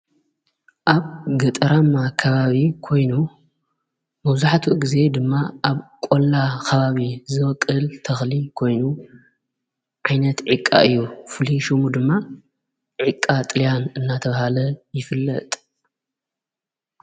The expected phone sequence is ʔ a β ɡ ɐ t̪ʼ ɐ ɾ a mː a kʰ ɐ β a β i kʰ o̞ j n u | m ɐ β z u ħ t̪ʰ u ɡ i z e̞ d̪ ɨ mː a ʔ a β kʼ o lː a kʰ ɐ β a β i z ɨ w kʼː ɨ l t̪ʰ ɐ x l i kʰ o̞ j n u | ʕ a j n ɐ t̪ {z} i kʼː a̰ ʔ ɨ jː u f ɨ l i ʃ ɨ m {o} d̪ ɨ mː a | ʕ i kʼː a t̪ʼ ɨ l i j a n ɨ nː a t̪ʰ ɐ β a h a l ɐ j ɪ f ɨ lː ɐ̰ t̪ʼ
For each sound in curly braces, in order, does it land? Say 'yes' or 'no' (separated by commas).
no, no